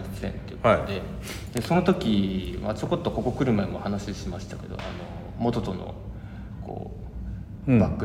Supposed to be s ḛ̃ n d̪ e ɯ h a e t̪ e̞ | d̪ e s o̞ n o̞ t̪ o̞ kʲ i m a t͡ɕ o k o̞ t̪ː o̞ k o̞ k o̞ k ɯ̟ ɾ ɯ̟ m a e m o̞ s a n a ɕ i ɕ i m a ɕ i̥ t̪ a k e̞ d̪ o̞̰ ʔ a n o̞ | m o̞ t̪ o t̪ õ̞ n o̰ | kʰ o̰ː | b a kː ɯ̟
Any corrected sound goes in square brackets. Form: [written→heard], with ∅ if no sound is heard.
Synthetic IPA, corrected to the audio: s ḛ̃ n [d̪→t̪] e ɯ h a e [t̪→d̪] e̞ | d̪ e s o̞ n o̞ t̪ o̞ kʲ i m a t͡ɕ o k o̞ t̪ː o̞ k o̞ k o̞ k ɯ̟ ɾ ɯ̟ m a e m o̞ [s→h] a n a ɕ i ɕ i m a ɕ i̥ t̪ a k e̞ d̪ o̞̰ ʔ a n o̞ | m o̞ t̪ o t̪ [õ̞→o̞] n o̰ | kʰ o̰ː | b a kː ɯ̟